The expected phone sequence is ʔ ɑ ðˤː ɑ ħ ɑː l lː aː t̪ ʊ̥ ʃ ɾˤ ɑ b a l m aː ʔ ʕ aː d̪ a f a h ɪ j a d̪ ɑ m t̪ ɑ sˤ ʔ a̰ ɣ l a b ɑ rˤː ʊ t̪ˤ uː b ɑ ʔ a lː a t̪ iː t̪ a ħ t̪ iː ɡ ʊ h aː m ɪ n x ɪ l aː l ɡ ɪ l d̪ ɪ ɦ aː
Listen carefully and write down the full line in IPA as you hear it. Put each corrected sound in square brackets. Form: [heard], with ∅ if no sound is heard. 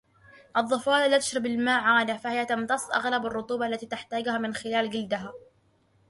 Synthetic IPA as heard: ʔ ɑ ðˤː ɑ [f] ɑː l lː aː t̪ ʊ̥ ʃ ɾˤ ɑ b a l m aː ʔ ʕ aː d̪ a f a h ɪ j a [t̪] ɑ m t̪ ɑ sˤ ʔ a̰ ɣ l a b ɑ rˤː ʊ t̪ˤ uː b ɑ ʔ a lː a t̪ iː t̪ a ħ t̪ [aː] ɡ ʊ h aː m ɪ n x ɪ l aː l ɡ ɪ l d̪ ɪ ɦ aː

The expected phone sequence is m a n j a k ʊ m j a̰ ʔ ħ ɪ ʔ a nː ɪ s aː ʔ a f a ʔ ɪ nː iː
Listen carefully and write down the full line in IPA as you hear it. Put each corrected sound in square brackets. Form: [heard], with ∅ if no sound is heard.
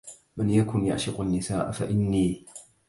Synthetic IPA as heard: m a n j a k ʊ [n] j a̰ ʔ [ʃ] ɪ [q] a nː ɪ s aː ʔ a f a ʔ ɪ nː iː

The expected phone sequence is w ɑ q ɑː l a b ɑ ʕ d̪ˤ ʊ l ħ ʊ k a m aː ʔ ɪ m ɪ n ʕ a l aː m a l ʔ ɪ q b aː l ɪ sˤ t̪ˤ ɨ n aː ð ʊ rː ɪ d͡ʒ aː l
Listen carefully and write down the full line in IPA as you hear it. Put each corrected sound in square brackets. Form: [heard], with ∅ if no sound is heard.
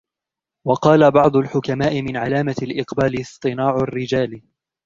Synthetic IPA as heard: w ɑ q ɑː l a b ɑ ʕ d̪ˤ ʊ l ħ ʊ k a m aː ʔ ɪ m ɪ n ʕ a l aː m a l ʔ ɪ q b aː l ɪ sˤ t̪ˤ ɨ n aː [ʕ] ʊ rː ɪ d͡ʒ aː l

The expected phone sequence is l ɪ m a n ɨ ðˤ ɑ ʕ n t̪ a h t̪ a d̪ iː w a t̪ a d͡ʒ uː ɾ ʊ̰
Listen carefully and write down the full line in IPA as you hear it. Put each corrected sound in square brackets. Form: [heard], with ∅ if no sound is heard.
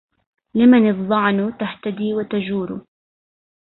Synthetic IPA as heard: l ɪ m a n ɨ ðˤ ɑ ʕ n t̪ a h t̪ a d̪ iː w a t̪ a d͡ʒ uː ɾ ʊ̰

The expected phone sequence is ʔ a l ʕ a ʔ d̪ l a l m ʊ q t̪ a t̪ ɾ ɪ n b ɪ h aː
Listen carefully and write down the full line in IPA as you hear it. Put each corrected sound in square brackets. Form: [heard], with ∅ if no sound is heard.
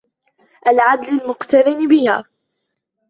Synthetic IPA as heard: ʔ a l ʕ a [∅] d̪ l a l m ʊ q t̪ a [∅] ɾ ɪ n b ɪ h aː

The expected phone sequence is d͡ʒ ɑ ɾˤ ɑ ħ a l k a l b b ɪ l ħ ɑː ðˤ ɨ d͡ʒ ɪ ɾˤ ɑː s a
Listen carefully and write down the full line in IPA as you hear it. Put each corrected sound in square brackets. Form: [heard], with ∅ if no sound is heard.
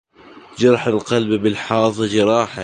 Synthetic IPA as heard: d͡ʒ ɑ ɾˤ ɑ ħ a l [q] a l b b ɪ l ħ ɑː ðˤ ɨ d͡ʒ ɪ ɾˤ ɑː [ħ] a

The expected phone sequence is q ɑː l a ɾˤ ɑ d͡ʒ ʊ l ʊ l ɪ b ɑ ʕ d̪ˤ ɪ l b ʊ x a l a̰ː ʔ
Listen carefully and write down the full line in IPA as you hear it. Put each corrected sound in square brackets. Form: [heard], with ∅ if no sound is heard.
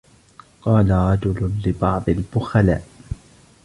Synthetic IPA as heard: q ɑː l a ɾˤ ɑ d͡ʒ ʊ l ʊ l ɪ b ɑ ʕ d̪ˤ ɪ l b ʊ x a l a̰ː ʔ

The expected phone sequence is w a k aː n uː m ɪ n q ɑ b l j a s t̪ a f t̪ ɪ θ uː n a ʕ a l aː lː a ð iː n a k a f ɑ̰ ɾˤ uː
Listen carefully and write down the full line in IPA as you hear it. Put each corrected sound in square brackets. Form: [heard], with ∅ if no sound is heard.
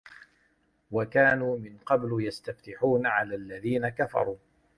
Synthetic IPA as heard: w a k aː n uː m ɪ n q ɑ b l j a s t̪ a f t̪ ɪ [ħ] uː n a ʕ a l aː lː a ð iː n a k a f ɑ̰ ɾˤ uː

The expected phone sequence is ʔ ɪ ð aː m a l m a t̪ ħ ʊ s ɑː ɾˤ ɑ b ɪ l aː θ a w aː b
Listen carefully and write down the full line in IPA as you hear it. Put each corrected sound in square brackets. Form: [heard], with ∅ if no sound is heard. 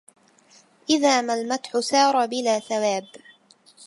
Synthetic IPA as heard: ʔ ɪ ð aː m a l m a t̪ ħ ʊ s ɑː ɾˤ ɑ b ɪ l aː θ a w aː b

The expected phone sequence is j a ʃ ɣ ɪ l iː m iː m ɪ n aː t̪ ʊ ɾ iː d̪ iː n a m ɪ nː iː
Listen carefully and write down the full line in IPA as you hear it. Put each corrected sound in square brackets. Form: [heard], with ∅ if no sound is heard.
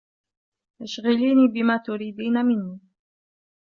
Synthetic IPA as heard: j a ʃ ɣ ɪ l iː [n] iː [b] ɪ [m] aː t̪ ʊ ɾ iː d̪ iː n a m ɪ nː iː

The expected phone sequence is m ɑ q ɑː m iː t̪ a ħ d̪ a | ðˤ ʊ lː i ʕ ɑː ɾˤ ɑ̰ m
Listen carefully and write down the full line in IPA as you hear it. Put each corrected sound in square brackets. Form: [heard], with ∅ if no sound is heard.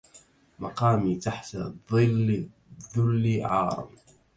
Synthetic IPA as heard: m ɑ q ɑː m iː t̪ a ħ [t̪] a | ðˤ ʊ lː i ʕ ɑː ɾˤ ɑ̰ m

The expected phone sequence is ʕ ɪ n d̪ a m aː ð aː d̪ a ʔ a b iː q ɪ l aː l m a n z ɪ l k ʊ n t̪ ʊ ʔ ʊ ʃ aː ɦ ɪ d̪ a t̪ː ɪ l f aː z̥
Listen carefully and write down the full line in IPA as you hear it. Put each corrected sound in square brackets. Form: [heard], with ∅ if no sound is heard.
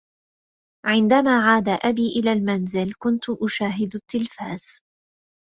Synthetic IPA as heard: ʕ ɪ n d̪ a m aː [ʕ] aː d̪ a ʔ a b iː [ʔ] ɪ l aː l m a n z ɪ l k ʊ n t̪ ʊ ʔ ʊ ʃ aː ɦ ɪ d̪ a t̪ː ɪ l f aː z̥

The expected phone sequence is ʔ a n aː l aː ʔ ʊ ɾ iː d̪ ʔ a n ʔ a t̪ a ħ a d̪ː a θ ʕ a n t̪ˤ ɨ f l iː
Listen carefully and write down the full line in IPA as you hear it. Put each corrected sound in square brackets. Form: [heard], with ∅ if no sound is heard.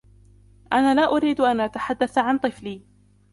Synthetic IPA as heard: ʔ a n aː l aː ʔ ʊ ɾ iː d̪ ʔ a n ʔ a t̪ a ħ a d̪ː a θ ʕ a n t̪ˤ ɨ f l iː

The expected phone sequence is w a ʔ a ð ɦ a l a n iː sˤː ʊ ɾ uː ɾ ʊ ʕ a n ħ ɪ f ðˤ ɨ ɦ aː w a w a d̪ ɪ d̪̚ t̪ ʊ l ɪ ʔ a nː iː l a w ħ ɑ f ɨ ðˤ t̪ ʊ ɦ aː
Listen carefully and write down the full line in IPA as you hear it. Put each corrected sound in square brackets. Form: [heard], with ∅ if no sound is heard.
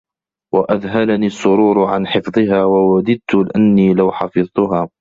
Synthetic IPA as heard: w a ʔ a ð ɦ a l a n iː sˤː ʊ ɾ uː ɾ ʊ ʕ a n ħ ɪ f ðˤ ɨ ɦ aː w a w a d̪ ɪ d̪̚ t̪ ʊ l ɪ ʔ a nː iː l a w ħ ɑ f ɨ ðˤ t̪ ʊ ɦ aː

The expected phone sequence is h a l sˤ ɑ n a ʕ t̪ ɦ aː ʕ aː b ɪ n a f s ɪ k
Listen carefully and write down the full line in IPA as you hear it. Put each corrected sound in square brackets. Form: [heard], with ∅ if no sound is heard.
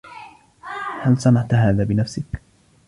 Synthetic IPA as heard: h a l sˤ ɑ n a ʕ t̪ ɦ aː [ð] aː b ɪ n a f s ɪ k

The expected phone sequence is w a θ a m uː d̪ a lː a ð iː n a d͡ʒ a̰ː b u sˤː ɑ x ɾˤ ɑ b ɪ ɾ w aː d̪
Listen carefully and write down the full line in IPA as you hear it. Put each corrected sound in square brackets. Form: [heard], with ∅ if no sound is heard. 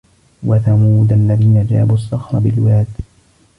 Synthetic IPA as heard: w a θ a m uː d̪ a lː a ð iː n a d͡ʒ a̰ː b u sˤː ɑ x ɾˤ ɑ b ɪ [l] w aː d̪

